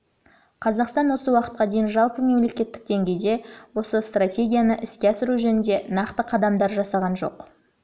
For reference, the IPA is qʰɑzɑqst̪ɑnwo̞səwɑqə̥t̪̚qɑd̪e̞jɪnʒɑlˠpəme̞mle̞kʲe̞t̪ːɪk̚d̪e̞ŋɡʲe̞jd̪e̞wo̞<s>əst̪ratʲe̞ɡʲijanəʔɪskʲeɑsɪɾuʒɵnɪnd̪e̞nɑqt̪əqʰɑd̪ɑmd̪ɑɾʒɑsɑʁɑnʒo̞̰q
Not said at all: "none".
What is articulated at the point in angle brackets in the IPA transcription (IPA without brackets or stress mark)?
s